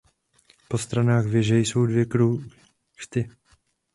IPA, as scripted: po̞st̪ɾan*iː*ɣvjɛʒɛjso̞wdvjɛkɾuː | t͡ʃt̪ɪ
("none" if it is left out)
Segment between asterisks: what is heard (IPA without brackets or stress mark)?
aː